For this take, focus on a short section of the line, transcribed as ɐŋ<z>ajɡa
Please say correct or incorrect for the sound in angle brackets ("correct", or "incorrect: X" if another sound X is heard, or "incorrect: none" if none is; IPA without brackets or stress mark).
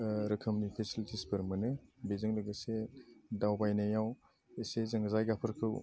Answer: correct